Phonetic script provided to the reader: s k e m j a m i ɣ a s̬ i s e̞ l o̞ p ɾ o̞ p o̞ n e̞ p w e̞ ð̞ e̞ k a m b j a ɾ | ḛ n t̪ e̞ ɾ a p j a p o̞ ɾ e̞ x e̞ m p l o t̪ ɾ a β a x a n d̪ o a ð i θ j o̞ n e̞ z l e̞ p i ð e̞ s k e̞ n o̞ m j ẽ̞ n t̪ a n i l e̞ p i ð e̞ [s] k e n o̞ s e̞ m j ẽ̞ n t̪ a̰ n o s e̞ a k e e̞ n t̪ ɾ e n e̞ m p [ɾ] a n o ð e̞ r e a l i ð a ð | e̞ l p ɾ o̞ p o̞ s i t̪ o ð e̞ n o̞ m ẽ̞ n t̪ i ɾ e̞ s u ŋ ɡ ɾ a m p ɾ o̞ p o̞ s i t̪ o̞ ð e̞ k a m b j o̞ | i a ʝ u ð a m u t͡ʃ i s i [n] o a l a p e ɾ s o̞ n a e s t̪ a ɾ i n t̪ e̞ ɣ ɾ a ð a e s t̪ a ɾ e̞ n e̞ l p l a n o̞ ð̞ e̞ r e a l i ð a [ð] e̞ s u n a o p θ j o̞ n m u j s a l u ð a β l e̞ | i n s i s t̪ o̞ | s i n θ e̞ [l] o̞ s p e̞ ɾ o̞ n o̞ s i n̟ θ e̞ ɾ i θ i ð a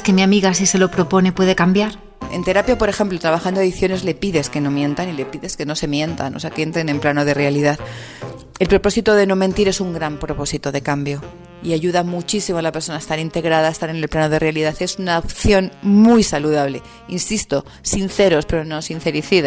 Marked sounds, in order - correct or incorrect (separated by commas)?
correct, incorrect, incorrect, incorrect, incorrect